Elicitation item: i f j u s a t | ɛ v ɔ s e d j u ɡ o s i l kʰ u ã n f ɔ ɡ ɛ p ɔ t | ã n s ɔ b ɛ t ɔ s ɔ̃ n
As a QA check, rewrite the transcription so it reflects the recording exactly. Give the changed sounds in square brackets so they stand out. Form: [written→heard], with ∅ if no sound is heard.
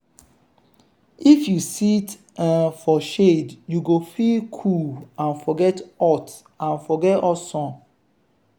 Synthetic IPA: i f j u s [a→i] t | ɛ [v→f] ɔ [s→ʃ] e d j u ɡ o [s→f] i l kʰ u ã n f ɔ ɡ ɛ [p→t] ɔ t | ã n [s→f] ɔ [b→ɡ] ɛ t ɔ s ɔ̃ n